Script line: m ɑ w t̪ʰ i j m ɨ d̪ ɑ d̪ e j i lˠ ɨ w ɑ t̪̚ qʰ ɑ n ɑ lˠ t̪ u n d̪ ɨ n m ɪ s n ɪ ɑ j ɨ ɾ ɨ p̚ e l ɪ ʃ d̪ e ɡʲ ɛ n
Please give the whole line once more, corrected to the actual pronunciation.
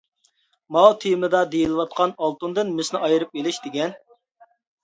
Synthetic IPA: m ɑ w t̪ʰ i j m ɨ d̪ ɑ d̪ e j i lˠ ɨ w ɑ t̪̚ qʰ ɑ n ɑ lˠ t̪ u n d̪ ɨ n m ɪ s n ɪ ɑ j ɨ ɾ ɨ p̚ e l ɪ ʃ d̪ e ɡʲ ɛ n

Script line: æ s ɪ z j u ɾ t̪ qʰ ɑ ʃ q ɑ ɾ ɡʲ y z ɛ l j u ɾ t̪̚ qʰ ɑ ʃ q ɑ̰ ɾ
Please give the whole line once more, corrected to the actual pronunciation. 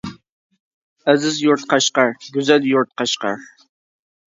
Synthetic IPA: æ z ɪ z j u ɾ t̪ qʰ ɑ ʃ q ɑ ɾ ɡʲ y z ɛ l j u ɾ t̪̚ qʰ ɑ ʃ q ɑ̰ ɾ

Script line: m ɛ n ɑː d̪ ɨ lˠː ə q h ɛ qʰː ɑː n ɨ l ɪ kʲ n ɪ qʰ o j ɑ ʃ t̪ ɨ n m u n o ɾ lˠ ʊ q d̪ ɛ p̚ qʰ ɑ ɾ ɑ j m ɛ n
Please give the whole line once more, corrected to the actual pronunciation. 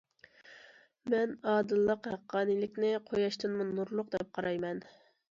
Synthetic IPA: m ɛ n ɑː d̪ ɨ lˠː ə q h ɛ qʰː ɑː n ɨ l ɪ kʲ n ɪ qʰ o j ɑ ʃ t̪ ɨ n m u n u ɾ lˠ ʊ q d̪ ɛ p̚ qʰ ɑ ɾ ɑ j m ɛ n

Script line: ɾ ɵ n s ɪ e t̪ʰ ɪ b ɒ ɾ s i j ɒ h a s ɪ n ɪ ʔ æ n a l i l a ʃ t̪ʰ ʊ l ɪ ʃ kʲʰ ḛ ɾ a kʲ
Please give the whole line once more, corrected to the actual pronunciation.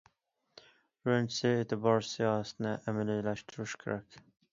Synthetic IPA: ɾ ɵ n s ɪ e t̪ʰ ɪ b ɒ ɾ s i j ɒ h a s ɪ n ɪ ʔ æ m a l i l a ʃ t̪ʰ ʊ ɾ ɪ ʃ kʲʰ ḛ ɾ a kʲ

